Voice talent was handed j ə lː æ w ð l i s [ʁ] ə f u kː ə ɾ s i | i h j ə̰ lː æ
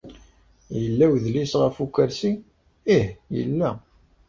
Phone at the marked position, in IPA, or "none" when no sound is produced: ʁ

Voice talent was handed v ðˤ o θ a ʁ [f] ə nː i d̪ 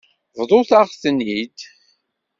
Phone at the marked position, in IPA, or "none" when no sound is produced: θ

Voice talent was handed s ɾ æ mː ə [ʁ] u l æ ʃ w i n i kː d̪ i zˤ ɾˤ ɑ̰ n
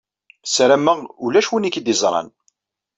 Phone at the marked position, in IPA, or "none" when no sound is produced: ʁ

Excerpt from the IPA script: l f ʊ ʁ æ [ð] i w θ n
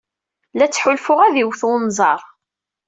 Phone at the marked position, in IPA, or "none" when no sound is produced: ð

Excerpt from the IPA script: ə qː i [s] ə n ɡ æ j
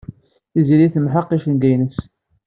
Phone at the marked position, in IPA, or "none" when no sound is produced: ʃ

